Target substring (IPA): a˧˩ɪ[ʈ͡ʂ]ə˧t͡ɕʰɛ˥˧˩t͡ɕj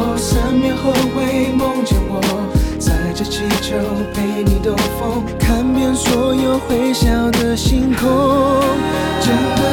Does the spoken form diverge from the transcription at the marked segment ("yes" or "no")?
no